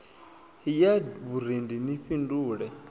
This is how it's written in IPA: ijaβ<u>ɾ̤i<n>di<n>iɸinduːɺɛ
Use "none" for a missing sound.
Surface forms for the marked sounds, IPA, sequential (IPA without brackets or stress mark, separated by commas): u, n, n